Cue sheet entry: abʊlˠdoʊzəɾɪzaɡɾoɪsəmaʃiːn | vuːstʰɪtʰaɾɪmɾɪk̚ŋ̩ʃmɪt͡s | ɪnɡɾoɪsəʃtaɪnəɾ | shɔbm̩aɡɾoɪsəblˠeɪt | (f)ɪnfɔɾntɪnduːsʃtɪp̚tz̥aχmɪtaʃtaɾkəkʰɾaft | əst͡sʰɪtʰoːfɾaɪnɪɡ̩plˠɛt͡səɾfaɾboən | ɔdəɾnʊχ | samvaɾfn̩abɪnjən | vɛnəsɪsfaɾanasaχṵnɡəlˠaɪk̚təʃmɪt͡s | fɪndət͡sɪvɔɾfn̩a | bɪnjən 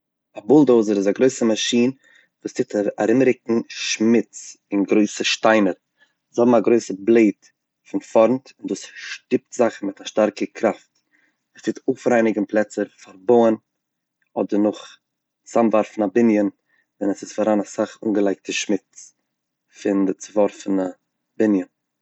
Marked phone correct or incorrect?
correct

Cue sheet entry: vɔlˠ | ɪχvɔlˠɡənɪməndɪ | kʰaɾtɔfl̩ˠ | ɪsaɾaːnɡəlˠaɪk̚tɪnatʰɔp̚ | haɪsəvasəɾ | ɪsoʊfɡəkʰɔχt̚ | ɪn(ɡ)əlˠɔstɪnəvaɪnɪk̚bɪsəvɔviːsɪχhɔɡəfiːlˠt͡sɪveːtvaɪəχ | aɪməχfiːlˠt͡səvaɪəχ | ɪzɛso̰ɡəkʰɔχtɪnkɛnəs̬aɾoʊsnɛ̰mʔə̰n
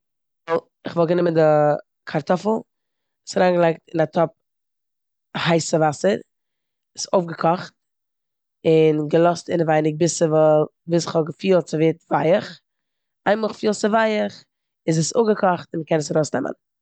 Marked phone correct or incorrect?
correct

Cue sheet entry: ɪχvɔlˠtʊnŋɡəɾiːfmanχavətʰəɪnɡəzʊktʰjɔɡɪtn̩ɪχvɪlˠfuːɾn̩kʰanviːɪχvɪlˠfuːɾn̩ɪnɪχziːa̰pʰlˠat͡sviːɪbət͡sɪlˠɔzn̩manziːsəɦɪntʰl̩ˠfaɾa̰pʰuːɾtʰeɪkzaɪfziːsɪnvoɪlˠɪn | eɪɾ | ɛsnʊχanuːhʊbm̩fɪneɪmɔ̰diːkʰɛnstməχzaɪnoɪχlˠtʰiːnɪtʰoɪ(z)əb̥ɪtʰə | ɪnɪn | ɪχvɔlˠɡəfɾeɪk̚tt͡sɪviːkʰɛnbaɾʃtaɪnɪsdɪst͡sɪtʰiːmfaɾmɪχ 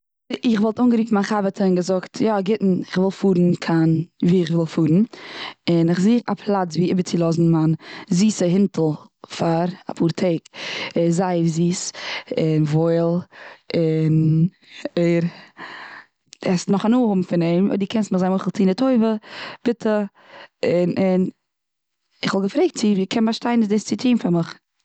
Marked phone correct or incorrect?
incorrect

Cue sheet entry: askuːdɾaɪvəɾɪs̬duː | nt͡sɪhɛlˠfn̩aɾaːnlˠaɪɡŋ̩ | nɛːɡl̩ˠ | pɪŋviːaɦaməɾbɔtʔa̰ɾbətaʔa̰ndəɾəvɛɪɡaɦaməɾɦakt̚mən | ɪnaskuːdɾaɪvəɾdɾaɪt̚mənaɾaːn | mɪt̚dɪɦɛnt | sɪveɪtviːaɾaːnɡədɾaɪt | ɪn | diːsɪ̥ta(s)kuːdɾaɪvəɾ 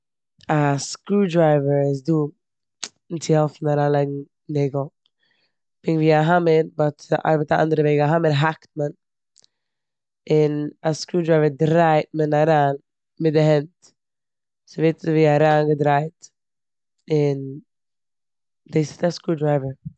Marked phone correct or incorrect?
correct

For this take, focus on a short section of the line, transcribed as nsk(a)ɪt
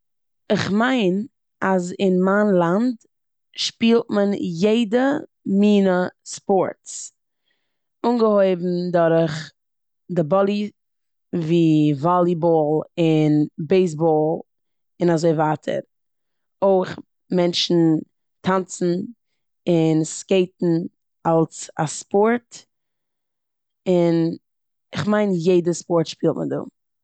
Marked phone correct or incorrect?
incorrect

